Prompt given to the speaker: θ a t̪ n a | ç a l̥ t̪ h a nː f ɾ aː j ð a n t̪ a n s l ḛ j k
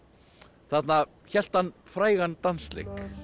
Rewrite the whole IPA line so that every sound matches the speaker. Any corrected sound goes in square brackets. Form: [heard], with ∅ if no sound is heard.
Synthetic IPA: θ a t̪ n a | ç [ɛ] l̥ t̪ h a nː f ɾ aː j [ɣ] a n t̪ a n s l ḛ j k